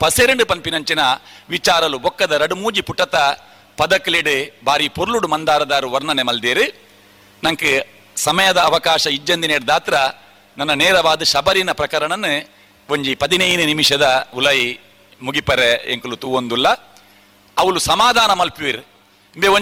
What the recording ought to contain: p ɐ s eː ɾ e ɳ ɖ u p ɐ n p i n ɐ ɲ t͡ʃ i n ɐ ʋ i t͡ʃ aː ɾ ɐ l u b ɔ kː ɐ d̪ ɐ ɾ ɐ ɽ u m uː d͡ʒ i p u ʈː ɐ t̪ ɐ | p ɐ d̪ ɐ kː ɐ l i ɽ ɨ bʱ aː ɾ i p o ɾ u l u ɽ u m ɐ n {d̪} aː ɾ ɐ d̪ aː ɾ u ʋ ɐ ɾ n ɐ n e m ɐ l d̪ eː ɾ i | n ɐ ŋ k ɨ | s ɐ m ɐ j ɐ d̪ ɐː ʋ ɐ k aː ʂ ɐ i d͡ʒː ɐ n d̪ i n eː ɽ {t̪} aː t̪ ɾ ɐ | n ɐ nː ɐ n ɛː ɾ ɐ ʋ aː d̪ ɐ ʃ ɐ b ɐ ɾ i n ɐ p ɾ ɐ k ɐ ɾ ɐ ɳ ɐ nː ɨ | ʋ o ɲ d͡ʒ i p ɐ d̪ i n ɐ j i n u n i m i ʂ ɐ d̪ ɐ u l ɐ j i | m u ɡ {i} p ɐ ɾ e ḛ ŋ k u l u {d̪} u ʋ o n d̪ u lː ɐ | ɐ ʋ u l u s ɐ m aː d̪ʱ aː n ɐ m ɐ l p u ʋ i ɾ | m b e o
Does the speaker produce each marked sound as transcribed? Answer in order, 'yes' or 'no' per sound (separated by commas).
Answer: yes, no, yes, no